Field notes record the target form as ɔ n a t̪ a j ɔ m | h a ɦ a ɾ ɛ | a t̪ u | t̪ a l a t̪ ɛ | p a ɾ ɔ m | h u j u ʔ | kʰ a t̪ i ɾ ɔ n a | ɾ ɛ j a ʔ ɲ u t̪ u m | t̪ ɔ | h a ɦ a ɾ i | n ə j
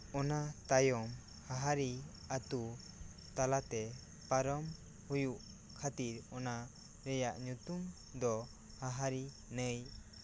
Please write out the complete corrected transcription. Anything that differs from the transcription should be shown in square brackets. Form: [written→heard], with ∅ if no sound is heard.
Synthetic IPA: ɔ n a t̪ a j ɔ m | h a ɦ a ɾ [ɛ→i] | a t̪ u | t̪ a l a t̪ ɛ | p a ɾ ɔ m | h u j u ʔ | kʰ a t̪ i ɾ ɔ n a | ɾ ɛ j a ʔ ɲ u t̪ u m | [t̪→d̪] ɔ | h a ɦ a ɾ i | n ə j